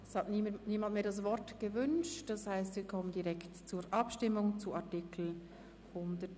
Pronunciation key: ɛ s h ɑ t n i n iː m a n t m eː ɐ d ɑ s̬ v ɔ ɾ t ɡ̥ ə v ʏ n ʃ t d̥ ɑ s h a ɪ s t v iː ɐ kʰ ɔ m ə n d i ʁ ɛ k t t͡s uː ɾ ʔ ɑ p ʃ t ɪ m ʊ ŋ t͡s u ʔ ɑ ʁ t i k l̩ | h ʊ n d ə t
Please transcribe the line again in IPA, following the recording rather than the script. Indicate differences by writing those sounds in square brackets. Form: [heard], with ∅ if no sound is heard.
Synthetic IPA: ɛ s h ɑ t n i n iː m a n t m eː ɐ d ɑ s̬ v ɔ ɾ t ɡ̥ ə v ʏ n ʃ t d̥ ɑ s h a ɪ s t v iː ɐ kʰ ɔ m ə n d i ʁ ɛ k t t͡s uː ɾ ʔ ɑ p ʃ t ɪ m ʊ ŋ t͡s u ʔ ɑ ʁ t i k l̩ | h ʊ n d ə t